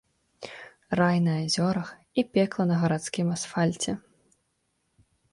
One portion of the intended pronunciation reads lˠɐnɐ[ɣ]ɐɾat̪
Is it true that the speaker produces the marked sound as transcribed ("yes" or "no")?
yes